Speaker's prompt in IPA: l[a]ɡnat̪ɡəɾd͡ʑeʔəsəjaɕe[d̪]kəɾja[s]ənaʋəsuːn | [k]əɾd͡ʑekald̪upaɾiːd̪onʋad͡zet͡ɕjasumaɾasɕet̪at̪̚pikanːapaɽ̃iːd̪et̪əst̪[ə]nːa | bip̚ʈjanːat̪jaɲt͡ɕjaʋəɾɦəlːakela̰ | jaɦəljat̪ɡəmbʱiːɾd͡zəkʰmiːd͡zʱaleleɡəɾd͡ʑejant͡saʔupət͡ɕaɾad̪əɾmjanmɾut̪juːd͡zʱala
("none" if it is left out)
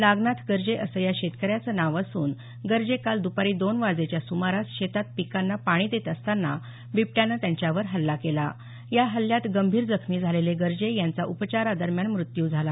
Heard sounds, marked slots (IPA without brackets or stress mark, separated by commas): a, t̪, t͡s, ɡ, a